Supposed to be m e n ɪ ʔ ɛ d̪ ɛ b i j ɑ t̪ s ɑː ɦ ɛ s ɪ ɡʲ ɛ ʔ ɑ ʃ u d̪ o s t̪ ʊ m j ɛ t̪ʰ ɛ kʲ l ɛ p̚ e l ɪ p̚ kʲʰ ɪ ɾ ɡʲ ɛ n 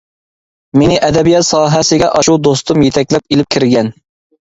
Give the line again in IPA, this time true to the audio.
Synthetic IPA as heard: m e n ɪ ʔ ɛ d̪ ɛ b i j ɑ t̪ s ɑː ɦ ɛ s ɪ ɡʲ ɛ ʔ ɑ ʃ u d̪ o s t̪ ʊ m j e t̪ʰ ɛ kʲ l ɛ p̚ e l ɪ p̚ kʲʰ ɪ ɾ ɡʲ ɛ n